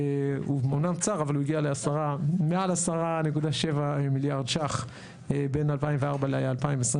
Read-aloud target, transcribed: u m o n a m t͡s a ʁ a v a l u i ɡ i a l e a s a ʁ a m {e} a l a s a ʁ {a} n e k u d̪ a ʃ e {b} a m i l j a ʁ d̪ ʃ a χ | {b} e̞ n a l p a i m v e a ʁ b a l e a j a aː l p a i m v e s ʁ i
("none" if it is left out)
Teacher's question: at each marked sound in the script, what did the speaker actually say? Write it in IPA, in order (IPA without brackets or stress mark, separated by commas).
e, a, v, b